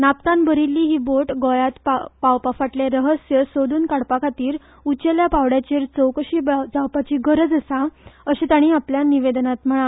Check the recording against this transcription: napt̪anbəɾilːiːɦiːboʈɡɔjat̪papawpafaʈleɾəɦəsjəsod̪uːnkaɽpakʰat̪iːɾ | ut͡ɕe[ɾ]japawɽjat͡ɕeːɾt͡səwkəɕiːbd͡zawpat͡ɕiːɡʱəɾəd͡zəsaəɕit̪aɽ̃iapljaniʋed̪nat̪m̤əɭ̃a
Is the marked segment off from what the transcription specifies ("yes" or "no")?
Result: yes